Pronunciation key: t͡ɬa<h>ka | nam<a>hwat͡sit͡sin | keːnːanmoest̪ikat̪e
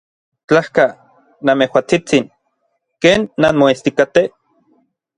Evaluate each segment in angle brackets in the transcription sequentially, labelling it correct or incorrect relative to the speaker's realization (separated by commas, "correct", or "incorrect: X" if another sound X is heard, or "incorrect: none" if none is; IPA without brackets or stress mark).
correct, incorrect: e